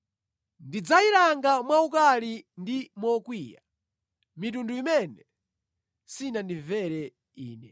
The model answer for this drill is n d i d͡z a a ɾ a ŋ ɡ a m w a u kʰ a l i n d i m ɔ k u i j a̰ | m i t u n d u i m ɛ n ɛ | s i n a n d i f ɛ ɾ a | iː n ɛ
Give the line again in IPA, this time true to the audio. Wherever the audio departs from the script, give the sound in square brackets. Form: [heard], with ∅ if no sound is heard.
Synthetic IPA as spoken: n d i d͡z a [i] ɾ a ŋ ɡ a m w a u [k] a l i n d i m ɔ k [w] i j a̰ | m i t u n d u i m ɛ n ɛ | s i n a n d i [v] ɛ ɾ [ɛ] | iː n ɛ

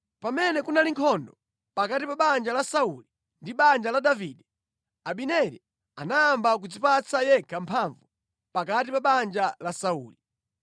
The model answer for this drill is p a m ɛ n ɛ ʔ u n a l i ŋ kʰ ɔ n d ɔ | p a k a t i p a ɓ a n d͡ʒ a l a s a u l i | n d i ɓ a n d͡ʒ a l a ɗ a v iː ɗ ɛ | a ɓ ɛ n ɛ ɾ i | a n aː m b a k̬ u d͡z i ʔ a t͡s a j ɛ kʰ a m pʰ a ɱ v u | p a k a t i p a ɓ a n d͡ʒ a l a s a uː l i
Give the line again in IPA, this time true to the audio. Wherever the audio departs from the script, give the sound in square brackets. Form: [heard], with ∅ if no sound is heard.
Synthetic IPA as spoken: p a m ɛ n ɛ [k] u n a l i ŋ kʰ ɔ n d ɔ | p a k a t i p a ɓ a n d͡ʒ a l a s a u l i | n d i ɓ a n d͡ʒ a l a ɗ a v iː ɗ ɛ | a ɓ [i] n ɛ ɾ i | a n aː m b a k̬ u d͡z i [p] a t͡s a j ɛ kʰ a m pʰ a ɱ v u | p a k a t i p a ɓ a n d͡ʒ a l a s a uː l i

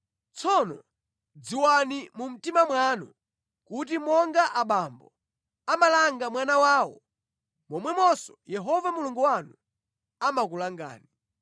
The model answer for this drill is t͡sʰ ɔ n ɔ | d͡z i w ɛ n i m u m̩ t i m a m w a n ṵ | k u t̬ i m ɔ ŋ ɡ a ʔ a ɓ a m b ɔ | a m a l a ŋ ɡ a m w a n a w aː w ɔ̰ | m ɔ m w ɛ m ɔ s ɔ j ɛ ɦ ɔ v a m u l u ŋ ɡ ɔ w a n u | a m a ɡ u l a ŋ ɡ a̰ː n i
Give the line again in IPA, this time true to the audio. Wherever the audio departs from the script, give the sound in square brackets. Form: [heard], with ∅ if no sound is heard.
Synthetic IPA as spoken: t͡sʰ ɔ n ɔ | d͡z i w [a] n i m u m̩ t i m a m w a n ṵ | k u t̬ i m ɔ ŋ ɡ a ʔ a ɓ a m b ɔ | a m a l a ŋ ɡ a m w a n a w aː w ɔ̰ | m ɔ m w ɛ m ɔ s ɔ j ɛ ɦ ɔ v a m u l u ŋ ɡ [u] w a n u | a m a [k] u l a ŋ ɡ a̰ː n i

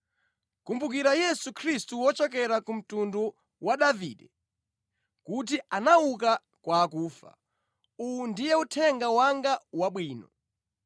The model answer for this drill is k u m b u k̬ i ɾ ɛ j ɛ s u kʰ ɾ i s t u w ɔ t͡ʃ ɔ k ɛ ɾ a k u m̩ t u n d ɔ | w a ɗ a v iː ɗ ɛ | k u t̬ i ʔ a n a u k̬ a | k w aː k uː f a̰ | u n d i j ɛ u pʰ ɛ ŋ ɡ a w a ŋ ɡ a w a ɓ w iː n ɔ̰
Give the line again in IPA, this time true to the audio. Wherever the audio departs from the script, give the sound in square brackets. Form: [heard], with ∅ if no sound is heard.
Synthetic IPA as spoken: k u m b u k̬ i ɾ [a] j ɛ s u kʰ ɾ i s t u w ɔ t͡ʃ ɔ k ɛ ɾ a k u m̩ t u n d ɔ | w a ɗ a v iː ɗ ɛ | k u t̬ i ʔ a n a u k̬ a | k w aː k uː f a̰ | u n d i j ɛ u [tʰ] ɛ ŋ ɡ a w a ŋ ɡ a w a ɓ w iː n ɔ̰

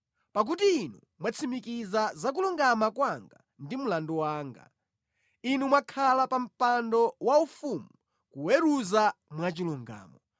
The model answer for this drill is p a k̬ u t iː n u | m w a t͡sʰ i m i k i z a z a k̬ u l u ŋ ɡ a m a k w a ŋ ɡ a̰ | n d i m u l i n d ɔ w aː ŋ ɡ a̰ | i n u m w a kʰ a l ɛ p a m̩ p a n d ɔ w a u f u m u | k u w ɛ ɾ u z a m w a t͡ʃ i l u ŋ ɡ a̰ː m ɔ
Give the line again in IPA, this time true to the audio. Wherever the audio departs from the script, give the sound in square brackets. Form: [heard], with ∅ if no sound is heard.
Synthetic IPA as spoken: p a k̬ u t iː n u | m w a t͡sʰ i m i k i z a z a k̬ u l u ŋ ɡ a m a k w a ŋ ɡ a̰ | n d i m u l [a] n d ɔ w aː ŋ ɡ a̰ | i n u m w a kʰ a l [a] p a m̩ p a n d ɔ w a u f u m u | k u w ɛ ɾ u z a m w a t͡ʃ i l u ŋ ɡ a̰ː m ɔ

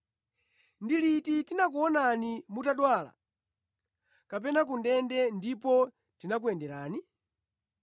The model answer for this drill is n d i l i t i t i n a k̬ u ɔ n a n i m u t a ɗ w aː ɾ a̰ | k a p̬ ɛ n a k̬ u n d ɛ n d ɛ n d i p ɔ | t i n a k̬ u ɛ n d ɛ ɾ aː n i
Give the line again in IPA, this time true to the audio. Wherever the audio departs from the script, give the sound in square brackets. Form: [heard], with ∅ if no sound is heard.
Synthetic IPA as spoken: n d i l i t i t i n a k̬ u ɔ n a n i m u t a ɗ w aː [l] a̰ | k a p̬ ɛ n a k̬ u n d ɛ n d ɛ n d i p ɔ | t i n a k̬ u ɛ n d ɛ ɾ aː n i

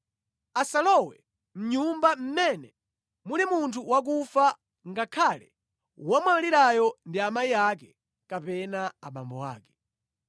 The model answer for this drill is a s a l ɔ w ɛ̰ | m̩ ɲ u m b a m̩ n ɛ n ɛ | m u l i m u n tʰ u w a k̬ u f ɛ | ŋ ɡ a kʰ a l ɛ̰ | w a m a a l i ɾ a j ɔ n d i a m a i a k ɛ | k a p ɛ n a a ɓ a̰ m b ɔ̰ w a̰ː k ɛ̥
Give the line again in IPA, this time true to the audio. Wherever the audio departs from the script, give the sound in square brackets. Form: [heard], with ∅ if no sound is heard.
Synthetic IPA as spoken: a s a l ɔ w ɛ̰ | m̩ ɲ u m b a m̩ [m] ɛ n ɛ | m u l i m u n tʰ u w a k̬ u f [a] | ŋ ɡ a kʰ a l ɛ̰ | w a m a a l i ɾ a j ɔ n d i a m a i a k ɛ | k a p ɛ n a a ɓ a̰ m b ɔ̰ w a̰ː k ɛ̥

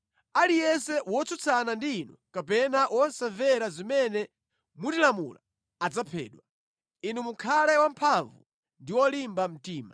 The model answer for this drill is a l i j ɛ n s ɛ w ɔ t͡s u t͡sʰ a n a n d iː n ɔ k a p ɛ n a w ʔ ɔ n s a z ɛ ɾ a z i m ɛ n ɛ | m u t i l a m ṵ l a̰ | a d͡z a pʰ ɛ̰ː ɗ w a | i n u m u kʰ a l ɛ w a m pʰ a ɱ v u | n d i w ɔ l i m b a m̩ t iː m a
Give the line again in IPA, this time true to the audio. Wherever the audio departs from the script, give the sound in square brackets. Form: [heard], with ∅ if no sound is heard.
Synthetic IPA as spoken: a l i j ɛ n s ɛ w ɔ t͡s u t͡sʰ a n a n d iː n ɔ k a p ɛ n a w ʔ ɔ n s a [v] ɛ ɾ a z i m ɛ n ɛ | m u t i l a m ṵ l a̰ | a d͡z a pʰ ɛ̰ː ɗ w a | i n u m u kʰ a l ɛ w a m pʰ a ɱ v u | n d i w ɔ l i m b a m̩ t iː m a

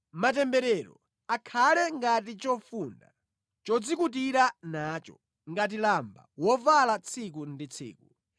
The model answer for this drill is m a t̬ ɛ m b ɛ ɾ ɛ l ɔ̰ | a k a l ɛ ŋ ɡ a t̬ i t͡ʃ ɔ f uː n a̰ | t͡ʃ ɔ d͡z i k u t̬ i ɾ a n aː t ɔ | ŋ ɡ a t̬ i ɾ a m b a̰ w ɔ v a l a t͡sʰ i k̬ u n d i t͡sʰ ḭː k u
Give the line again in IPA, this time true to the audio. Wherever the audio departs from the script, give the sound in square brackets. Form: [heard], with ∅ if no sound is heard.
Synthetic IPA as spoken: m a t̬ ɛ m b ɛ ɾ ɛ [ɾ] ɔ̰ | a [kʰ] a l ɛ ŋ ɡ a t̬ i t͡ʃ ɔ f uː n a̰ | t͡ʃ ɔ d͡z i k u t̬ i ɾ a n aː [t͡ʃ] ɔ | ŋ ɡ a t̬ i [l] a m b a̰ w ɔ v a l a t͡sʰ i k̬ u n d i t͡sʰ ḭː k u

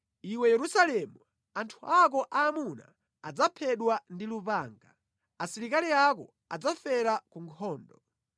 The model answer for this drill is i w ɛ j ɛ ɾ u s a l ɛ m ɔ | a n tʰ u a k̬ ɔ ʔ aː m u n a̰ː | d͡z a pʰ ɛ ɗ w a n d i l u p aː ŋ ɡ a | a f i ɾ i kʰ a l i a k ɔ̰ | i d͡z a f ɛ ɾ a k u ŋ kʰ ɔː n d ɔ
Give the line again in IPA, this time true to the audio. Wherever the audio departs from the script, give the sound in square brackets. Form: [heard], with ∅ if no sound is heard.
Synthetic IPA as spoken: i w ɛ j ɛ ɾ u s a l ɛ m [u] | a n tʰ u a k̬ ɔ ʔ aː m u n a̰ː | d͡z a pʰ ɛ ɗ w a n d i l u p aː ŋ ɡ a | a [s] i ɾ i [k] a l i a k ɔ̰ | [a] d͡z a f ɛ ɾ a k u ŋ kʰ ɔː n d ɔ

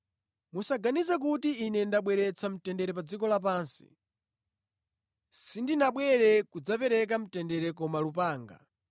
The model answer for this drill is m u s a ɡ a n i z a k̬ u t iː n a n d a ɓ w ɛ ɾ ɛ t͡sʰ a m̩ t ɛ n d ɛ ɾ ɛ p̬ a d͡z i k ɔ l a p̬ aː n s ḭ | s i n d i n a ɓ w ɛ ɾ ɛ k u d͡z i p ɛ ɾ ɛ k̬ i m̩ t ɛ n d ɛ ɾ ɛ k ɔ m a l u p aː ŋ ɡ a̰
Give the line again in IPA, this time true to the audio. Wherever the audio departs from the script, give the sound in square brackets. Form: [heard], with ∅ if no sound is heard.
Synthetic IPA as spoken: m u s a ɡ a n i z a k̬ u t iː n [ɛ] n d a ɓ w ɛ ɾ ɛ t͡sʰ a m̩ t ɛ n d ɛ ɾ ɛ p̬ a d͡z i k ɔ l a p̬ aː n s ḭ | s i n d i n a ɓ w ɛ ɾ ɛ k u d͡z [a] p ɛ ɾ ɛ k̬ [a] m̩ t ɛ n d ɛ ɾ ɛ k ɔ m a l u p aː ŋ ɡ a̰

